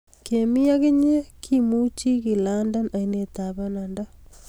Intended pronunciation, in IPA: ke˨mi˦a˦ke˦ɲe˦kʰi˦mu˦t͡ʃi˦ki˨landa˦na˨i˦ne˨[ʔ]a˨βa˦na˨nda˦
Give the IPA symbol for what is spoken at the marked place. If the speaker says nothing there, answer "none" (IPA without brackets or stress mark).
t